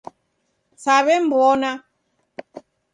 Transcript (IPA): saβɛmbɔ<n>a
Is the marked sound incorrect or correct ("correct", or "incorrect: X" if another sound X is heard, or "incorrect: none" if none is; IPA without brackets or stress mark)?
correct